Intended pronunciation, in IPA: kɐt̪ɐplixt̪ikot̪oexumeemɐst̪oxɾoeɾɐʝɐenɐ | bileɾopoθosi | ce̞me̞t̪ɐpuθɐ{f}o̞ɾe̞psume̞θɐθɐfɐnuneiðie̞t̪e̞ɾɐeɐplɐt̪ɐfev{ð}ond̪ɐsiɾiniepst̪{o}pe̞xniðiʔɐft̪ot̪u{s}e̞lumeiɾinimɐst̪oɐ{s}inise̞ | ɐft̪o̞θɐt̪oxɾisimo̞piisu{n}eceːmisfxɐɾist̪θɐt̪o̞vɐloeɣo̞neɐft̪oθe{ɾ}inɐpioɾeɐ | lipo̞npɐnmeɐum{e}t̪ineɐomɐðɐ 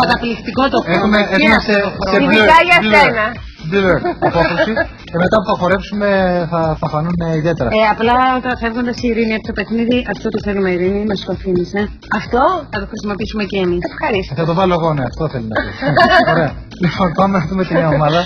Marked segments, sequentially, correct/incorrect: incorrect, incorrect, correct, incorrect, incorrect, incorrect, incorrect, correct

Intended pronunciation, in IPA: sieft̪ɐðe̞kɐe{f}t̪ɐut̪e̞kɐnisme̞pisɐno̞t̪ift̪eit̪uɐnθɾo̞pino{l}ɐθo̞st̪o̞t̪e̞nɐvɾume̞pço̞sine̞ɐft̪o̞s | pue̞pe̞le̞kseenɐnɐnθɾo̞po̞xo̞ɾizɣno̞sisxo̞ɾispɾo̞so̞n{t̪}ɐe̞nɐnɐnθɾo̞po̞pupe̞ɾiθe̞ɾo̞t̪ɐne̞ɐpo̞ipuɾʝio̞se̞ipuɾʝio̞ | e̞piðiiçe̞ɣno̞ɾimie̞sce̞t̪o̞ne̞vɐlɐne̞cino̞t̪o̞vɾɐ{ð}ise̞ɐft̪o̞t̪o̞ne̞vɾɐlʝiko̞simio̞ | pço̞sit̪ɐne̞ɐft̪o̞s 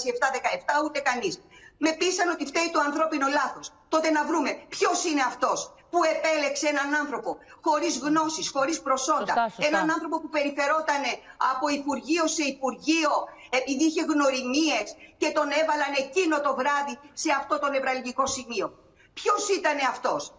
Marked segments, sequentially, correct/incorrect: correct, correct, incorrect, correct

